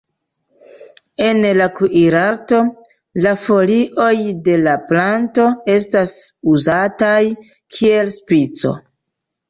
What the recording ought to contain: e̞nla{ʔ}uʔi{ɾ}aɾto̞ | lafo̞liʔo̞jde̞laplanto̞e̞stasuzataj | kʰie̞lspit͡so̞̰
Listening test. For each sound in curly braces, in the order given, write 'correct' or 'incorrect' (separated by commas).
incorrect, correct